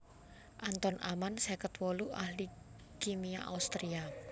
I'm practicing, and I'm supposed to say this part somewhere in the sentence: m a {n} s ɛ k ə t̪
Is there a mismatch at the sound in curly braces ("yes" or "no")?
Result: no